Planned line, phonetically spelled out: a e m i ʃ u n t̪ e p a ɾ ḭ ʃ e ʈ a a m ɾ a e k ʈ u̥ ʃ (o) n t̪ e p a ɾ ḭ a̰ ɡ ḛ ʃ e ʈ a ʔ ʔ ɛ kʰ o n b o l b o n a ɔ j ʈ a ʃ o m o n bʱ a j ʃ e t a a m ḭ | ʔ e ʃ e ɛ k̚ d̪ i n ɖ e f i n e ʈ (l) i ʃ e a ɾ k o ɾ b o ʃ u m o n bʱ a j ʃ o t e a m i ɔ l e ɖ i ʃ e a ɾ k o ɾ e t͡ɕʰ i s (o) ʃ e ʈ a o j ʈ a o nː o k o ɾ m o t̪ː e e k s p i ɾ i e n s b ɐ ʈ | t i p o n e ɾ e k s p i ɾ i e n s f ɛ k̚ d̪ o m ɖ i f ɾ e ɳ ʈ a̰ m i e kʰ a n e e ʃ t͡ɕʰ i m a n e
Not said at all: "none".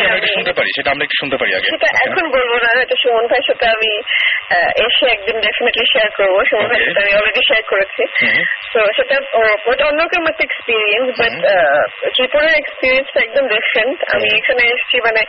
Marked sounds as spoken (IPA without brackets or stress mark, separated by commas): u, l, o